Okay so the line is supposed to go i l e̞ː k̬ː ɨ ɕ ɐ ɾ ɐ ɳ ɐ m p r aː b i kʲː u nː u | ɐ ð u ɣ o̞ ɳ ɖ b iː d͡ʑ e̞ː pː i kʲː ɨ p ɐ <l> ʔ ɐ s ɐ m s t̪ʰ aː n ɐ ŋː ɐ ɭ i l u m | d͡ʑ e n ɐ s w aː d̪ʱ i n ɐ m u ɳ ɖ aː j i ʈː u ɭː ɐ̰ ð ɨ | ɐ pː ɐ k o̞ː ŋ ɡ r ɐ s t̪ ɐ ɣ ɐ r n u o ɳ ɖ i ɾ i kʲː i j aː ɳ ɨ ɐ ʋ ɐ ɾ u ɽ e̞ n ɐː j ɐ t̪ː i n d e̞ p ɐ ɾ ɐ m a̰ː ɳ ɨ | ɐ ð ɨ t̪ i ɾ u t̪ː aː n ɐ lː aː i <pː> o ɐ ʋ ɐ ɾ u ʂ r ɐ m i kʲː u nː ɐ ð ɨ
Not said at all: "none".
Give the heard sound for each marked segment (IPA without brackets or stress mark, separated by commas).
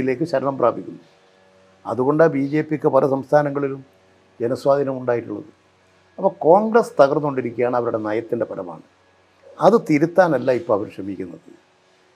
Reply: l, pː